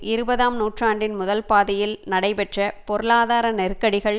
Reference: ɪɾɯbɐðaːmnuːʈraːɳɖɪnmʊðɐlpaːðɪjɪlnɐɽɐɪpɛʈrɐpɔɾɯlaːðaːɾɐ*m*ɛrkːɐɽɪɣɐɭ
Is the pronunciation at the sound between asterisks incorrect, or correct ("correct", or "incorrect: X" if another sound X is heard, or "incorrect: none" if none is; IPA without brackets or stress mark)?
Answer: incorrect: n